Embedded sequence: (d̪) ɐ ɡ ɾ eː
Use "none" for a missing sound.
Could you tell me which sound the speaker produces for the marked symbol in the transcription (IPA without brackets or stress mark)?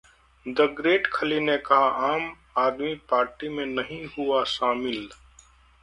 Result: d̪